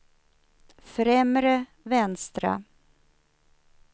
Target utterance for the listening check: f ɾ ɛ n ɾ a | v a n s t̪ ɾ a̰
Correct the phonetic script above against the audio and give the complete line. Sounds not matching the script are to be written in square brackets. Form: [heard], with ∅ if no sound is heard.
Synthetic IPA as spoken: f ɾ ɛ [m] ɾ [ə] | v [ɛ] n s t̪ ɾ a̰